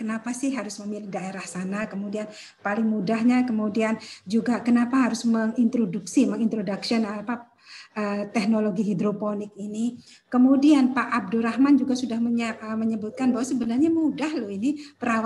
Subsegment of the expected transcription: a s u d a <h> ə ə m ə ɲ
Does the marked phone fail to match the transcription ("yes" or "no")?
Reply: no